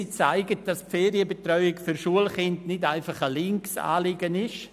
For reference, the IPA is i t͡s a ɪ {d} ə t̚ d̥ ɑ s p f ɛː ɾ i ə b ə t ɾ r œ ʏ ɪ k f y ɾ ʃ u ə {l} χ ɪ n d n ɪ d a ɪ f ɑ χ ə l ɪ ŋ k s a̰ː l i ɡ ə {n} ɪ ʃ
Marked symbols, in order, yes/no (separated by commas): no, yes, yes